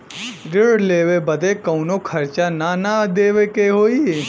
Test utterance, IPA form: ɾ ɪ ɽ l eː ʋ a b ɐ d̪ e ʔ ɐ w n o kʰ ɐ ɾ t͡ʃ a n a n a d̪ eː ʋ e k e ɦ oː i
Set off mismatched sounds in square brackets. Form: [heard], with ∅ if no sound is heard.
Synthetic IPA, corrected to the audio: ɾ ɪ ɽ l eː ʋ [e] b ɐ d̪ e [k] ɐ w n o kʰ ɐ ɾ t͡ʃ a n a n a d̪ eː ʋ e k e ɦ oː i

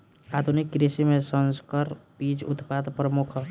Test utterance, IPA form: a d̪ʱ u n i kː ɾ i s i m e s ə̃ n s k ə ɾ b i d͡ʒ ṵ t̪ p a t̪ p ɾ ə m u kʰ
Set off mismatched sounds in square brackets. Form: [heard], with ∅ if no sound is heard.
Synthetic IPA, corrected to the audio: a d̪ʱ u n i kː ɾ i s i m e s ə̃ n s k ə ɾ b i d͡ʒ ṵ t̪ p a [d̪] p ɾ ə m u kʰ

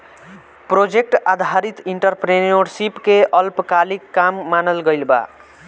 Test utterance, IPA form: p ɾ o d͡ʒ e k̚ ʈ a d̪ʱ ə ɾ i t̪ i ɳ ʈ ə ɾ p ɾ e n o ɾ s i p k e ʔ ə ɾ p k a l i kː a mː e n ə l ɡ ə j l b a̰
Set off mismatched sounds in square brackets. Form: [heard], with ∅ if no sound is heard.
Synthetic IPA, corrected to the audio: p ɾ o d͡ʒ e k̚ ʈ a d̪ʱ [a] ɾ i t̪ i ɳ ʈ ə ɾ p ɾ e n o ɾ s i p k e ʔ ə [l] p k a l i kː a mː [a] n ə l ɡ ə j l b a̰

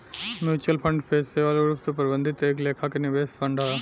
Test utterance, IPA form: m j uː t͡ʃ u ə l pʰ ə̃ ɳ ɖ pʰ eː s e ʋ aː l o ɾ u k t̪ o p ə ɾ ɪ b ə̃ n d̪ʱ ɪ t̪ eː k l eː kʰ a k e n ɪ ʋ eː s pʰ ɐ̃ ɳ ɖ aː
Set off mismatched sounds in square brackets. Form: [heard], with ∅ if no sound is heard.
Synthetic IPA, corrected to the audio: m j uː t͡ʃ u ə l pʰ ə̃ ɳ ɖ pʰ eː s e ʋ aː l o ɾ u [p] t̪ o p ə ɾ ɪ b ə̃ n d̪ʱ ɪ t̪ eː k l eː kʰ a k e n ɪ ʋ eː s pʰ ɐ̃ ɳ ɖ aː

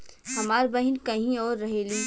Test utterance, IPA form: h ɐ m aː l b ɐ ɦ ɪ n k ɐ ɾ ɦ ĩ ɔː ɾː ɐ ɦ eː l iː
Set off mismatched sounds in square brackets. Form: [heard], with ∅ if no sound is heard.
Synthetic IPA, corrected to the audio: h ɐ m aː [ɾ] b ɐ ɦ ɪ n k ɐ [∅] ɦ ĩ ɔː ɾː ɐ ɦ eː l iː

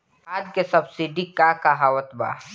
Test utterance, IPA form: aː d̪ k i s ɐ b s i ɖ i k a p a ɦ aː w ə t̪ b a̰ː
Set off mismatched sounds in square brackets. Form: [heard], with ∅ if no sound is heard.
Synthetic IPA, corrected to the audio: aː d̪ k [e] s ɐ b s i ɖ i k a [k] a ɦ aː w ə t̪ b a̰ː

